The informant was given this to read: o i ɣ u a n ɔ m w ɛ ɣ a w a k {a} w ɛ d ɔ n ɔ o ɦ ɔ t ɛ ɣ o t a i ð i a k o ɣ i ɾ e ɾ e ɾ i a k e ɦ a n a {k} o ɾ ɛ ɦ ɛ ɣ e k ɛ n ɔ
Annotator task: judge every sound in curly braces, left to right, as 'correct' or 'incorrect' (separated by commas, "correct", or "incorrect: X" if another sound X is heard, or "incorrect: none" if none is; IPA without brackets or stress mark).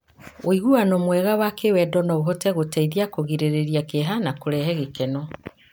incorrect: e, correct